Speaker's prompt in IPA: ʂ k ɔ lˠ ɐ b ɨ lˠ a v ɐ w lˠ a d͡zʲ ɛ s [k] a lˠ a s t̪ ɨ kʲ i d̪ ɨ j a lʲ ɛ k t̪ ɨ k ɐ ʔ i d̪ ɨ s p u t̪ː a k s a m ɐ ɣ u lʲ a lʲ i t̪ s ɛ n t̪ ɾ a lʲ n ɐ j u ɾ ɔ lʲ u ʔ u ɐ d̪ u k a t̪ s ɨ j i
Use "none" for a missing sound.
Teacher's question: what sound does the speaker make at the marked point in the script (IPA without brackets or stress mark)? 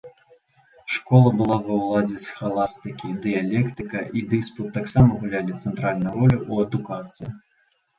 x